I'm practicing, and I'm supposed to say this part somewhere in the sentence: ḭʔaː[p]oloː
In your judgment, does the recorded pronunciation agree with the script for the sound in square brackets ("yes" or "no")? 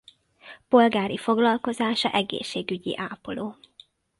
yes